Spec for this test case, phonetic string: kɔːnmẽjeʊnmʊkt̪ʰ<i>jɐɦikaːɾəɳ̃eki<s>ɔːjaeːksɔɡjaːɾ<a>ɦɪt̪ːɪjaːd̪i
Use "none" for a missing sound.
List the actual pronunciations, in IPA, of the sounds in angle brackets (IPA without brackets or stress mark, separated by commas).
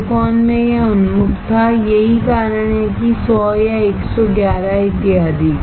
a, s, a